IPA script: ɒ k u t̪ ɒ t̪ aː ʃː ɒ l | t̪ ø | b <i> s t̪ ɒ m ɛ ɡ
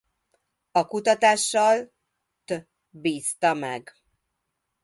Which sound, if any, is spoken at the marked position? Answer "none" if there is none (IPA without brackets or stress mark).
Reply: iː